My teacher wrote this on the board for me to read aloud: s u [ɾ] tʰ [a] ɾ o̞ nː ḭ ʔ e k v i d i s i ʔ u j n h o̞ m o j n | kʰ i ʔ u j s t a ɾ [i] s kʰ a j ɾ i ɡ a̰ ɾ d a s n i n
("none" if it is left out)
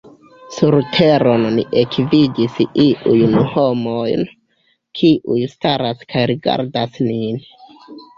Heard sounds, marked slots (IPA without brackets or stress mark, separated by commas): ɾ, e, a